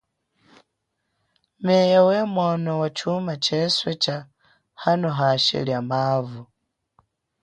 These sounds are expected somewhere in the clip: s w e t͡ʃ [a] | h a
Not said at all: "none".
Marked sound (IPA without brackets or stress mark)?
a